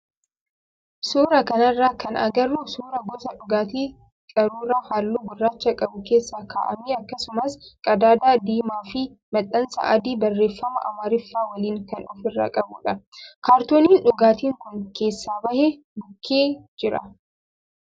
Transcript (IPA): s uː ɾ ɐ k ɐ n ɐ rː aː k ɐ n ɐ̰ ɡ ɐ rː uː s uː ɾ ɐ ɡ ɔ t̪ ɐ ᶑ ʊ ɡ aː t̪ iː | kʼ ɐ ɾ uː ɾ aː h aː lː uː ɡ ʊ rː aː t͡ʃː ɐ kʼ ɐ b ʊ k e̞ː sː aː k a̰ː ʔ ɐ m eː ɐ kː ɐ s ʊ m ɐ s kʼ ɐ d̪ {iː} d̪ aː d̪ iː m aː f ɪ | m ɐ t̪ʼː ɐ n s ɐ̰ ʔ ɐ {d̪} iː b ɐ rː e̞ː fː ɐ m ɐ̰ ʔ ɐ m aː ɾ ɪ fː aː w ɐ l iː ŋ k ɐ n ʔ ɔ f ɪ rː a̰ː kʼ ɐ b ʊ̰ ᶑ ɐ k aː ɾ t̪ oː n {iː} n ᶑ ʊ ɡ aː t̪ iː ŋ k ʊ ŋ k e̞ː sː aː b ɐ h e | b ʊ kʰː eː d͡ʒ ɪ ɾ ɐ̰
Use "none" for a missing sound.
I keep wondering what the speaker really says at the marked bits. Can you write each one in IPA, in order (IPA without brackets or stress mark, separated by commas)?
aː, d̪, iː